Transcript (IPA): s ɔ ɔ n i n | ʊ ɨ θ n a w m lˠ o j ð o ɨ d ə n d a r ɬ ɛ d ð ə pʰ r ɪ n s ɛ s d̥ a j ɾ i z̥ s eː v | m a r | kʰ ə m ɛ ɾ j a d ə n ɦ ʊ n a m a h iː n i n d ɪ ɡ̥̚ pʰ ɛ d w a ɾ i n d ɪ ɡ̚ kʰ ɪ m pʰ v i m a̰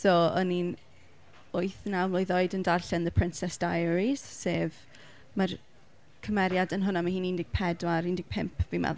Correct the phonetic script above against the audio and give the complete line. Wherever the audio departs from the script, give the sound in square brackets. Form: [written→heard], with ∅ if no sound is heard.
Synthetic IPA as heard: s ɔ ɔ n i n | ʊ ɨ θ n a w m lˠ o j ð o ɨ d ə n d a r ɬ ɛ [d→n] ð ə pʰ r ɪ n s ɛ s d̥ a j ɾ i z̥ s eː v | m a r | kʰ ə m ɛ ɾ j a d ə n ɦ ʊ n a m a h iː n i n d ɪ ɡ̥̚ pʰ ɛ d w a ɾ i n d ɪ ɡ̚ [kʰ→pʰ] ɪ m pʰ v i m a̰